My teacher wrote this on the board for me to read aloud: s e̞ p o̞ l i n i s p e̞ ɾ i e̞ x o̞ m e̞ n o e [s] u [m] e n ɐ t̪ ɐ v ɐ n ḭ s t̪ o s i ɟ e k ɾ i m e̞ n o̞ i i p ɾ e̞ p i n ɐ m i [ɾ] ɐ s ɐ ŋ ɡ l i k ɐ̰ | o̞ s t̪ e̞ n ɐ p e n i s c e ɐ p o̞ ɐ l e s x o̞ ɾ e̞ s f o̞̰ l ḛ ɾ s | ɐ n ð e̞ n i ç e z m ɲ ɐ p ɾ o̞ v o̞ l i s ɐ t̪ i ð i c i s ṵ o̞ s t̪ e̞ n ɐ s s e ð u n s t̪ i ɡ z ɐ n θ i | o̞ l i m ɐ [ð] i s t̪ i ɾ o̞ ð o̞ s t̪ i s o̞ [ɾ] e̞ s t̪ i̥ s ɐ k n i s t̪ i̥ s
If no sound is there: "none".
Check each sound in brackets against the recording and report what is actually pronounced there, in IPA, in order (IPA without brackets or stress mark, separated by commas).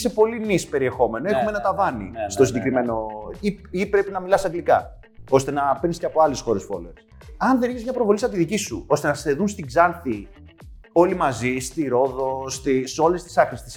x, m, l, z, l